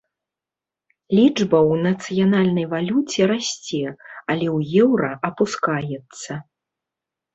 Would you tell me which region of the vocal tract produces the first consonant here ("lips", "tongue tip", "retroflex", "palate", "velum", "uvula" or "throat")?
tongue tip